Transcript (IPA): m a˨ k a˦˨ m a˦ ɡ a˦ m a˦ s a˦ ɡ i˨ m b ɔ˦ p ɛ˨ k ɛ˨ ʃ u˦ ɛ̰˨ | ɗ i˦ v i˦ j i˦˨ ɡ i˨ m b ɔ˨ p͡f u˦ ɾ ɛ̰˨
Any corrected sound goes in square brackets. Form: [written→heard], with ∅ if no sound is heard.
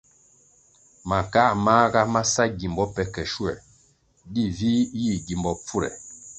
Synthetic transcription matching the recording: m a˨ k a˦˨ m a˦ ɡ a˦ m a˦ s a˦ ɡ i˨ m b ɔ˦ p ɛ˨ k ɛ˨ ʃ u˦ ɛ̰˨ | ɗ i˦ v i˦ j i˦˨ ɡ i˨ m b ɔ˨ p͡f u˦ ɾ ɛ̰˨